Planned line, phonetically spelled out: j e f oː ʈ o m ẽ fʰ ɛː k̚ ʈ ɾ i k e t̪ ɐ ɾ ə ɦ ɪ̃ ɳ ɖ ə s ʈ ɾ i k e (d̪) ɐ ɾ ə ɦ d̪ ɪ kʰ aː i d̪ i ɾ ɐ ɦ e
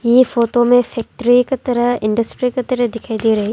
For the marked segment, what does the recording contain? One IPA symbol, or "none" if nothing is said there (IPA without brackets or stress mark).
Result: t̪